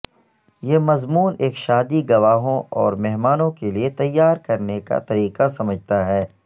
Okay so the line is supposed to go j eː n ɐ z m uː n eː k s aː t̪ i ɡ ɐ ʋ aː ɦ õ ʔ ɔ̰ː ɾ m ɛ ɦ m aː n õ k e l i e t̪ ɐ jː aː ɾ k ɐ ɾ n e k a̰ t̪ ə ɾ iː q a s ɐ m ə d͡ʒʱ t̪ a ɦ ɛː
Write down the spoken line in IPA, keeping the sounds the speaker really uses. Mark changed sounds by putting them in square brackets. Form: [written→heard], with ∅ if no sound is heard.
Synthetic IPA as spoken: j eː [n→m] ɐ z m uː n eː k [s→ʃ] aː [t̪→d̪] i ɡ ɐ ʋ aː ɦ õ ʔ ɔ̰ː ɾ m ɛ ɦ m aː n õ k e l i e t̪ ɐ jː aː ɾ k ɐ ɾ n e k a̰ t̪ [ə→ɐ] ɾ iː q a s ɐ m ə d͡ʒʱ t̪ a ɦ ɛː

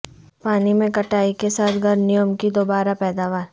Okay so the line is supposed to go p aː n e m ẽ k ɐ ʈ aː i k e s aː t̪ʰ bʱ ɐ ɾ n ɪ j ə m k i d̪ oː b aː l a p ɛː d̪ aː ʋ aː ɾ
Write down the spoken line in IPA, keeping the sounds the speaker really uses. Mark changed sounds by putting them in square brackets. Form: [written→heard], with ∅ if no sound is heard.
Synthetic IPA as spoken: p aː n [e→i] m ẽ k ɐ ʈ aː i k e s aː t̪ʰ [bʱ→ɡʱ] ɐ ɾ n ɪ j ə m k i d̪ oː b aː [l→ɾ] a p ɛː d̪ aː ʋ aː ɾ

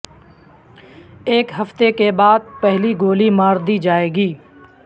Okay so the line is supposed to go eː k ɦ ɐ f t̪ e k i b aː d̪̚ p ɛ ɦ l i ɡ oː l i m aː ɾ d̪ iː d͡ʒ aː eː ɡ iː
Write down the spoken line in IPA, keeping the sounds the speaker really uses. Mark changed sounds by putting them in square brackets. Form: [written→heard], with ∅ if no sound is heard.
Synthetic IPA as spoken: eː k ɦ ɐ f t̪ e k [i→e] b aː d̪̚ p ɛ ɦ l i ɡ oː l i m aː ɾ d̪ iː d͡ʒ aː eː ɡ iː

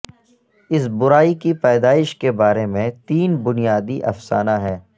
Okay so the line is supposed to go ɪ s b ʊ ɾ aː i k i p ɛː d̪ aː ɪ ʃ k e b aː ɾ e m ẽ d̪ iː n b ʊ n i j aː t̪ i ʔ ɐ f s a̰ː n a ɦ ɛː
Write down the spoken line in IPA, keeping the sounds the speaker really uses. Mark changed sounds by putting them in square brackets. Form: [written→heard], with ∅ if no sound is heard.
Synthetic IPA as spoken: ɪ s b ʊ ɾ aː i k i p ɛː d̪ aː ɪ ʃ k e b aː ɾ e m ẽ [d̪→t̪] iː n b ʊ n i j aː [t̪→d̪] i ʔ ɐ f s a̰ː n a ɦ ɛː

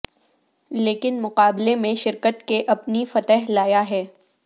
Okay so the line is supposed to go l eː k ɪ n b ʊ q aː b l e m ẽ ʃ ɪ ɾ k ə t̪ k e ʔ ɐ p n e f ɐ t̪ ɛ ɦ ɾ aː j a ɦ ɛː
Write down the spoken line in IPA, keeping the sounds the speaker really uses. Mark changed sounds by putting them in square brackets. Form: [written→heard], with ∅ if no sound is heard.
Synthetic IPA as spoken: l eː k ɪ n [b→m] ʊ q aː b l e m ẽ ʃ ɪ ɾ k ə t̪ k e ʔ ɐ p n [e→i] f ɐ t̪ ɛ ɦ [ɾ→l] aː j a ɦ ɛː

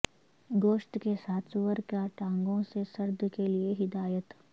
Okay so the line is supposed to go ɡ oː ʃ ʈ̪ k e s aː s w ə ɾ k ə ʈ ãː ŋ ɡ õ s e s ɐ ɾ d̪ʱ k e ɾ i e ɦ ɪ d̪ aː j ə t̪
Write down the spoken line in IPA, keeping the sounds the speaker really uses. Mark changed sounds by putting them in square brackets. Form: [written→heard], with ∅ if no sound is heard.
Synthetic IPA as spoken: ɡ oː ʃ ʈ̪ k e s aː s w ə ɾ k [ə→a] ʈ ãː ŋ ɡ õ s e s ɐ ɾ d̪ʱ k e [ɾ→l] i e ɦ ɪ d̪ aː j ə t̪

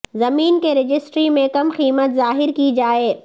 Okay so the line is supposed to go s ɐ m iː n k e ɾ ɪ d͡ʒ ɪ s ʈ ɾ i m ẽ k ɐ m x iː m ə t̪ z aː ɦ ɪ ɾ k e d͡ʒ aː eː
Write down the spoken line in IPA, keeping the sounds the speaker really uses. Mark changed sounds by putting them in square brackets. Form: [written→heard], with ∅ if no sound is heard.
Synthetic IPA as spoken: [s→z] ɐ m iː n k e ɾ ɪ d͡ʒ ɪ s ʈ ɾ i m ẽ k ɐ m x iː m ə t̪ z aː ɦ ɪ ɾ k [e→i] d͡ʒ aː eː

